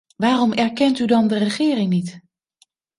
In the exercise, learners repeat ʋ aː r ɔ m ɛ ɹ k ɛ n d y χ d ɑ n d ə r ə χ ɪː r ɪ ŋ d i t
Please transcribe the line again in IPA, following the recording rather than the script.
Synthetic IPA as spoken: ʋ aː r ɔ m ɛ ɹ k ɛ n t y d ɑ n d ə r ə χ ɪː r ɪ ŋ n i t